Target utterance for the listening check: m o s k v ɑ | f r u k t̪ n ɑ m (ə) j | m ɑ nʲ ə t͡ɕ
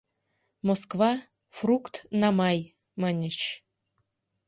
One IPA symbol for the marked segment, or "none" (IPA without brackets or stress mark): ɑ